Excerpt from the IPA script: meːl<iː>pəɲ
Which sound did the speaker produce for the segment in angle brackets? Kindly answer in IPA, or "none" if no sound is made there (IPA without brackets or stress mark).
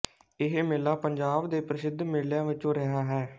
aː